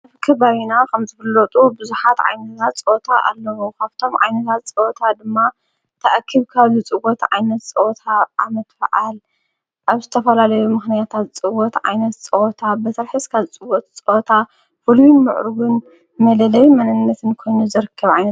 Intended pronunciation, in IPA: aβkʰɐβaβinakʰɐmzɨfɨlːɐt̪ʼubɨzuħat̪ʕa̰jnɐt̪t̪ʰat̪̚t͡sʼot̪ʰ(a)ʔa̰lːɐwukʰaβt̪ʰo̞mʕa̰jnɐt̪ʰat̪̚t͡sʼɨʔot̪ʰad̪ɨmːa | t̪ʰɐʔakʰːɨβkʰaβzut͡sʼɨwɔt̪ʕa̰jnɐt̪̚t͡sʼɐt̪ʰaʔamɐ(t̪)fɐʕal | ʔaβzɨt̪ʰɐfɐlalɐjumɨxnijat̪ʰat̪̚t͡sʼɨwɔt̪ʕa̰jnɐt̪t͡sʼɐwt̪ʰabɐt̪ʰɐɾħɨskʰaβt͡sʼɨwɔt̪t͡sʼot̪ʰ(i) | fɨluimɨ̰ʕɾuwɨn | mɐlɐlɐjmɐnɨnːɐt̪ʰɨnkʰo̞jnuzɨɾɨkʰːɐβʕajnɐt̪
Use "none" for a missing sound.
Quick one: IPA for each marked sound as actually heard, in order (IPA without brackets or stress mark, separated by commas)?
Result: a, t̪, a